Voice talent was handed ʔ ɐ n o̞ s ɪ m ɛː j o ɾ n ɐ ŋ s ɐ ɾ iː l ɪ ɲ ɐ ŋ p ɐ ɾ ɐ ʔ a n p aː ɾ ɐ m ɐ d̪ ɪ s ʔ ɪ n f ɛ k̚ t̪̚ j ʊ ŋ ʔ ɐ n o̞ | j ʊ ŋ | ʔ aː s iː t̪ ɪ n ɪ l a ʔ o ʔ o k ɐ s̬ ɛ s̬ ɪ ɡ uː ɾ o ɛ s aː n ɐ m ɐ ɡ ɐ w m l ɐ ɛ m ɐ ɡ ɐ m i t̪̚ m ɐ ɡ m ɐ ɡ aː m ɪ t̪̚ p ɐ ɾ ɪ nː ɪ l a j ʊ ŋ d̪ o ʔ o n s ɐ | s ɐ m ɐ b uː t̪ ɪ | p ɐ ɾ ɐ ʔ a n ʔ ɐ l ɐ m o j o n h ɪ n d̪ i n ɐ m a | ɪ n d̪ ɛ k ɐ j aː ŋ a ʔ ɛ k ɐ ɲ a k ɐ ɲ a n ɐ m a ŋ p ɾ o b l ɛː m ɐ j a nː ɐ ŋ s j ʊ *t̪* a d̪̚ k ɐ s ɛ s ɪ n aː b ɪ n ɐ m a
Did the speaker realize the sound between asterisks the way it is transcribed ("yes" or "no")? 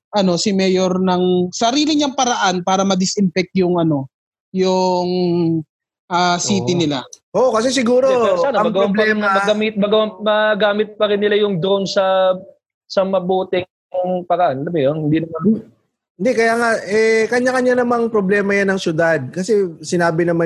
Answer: no